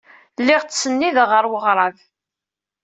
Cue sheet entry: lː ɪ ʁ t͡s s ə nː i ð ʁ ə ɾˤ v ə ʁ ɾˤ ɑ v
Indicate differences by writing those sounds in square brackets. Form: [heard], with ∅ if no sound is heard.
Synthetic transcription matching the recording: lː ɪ ʁ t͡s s ə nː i ð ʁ ə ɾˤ [w] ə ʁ ɾˤ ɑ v